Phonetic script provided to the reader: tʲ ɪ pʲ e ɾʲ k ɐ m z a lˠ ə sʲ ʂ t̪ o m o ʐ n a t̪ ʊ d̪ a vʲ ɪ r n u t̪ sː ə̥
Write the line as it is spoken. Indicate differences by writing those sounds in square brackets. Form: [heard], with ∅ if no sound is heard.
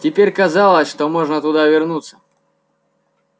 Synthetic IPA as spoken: tʲ ɪ pʲ e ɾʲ k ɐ [∅] z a lˠ ə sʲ ʂ t̪ o m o ʐ n [ə] t̪ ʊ d̪ a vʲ ɪ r n u t̪ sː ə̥

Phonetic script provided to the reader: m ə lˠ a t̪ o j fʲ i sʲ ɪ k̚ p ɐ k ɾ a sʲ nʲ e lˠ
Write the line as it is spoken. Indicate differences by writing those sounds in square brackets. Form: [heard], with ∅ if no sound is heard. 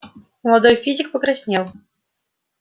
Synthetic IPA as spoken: m ə lˠ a [d̪] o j fʲ i [zʲ] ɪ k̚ p [ə] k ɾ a sʲ nʲ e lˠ

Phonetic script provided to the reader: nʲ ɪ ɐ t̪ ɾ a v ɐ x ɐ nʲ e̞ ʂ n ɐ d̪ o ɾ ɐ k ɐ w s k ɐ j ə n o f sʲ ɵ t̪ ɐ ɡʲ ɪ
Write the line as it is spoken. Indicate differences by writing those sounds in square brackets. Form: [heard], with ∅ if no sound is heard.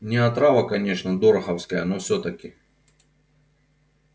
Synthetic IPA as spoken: nʲ ɪ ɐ t̪ ɾ a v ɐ [k] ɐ nʲ e̞ ʂ n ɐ d̪ o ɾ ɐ [x] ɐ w s k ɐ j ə n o f sʲ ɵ t̪ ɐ [kʲ] ɪ

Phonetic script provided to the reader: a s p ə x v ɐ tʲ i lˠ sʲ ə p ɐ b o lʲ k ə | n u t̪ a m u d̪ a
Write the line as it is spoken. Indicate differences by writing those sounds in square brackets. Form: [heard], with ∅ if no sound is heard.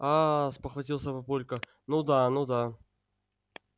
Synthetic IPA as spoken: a s p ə x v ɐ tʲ i lˠ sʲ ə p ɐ [p] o lʲ k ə | n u [d̪] a [n] u d̪ a

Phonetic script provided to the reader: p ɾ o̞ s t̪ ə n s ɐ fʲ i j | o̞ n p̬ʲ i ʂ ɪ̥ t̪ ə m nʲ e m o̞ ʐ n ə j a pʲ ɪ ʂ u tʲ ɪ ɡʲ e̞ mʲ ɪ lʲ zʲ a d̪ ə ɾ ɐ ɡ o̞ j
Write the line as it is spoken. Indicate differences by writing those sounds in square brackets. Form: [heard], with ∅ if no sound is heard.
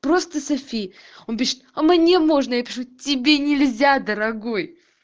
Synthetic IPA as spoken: p ɾ o̞ s t̪ ə [∅] s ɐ fʲ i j | o̞ n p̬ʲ i ʂ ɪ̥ t̪ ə m nʲ e m o̞ ʐ n ə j a pʲ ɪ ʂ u tʲ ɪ [bʲ] e̞ [nʲ] ɪ lʲ zʲ a d̪ ə ɾ ɐ ɡ o̞ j

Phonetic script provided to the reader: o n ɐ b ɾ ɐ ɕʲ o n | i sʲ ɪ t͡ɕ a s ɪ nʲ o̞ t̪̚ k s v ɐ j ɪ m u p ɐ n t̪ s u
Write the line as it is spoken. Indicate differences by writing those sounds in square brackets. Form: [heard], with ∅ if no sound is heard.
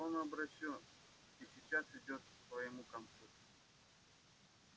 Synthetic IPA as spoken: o n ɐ b ɾ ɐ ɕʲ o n | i sʲ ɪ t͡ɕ a s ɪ [dʲ] o̞ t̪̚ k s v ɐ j ɪ m u [k] ɐ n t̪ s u

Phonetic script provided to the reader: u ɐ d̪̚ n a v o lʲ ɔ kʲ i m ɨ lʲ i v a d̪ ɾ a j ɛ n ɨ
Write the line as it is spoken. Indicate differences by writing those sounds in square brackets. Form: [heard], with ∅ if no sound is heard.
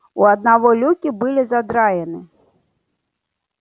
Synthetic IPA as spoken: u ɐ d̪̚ n a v [ɔ] lʲ [u] kʲ i [b] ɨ lʲ i [z] a d̪ ɾ a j ɛ n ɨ

